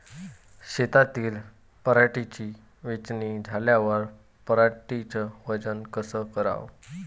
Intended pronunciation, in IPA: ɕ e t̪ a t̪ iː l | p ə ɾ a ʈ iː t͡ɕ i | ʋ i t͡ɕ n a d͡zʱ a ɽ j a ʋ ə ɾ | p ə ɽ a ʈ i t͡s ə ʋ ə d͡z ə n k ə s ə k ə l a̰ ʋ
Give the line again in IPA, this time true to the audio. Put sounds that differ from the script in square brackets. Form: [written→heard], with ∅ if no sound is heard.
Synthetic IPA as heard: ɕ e t̪ a t̪ iː l | p ə ɾ a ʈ [iː→i] t͡ɕ i | ʋ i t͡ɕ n [a→i] d͡zʱ a [ɽ→l] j a ʋ ə ɾ | p ə [ɽ→ɾ] a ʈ i t͡s ə ʋ ə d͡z ə n k ə s ə k ə [l→ɾ] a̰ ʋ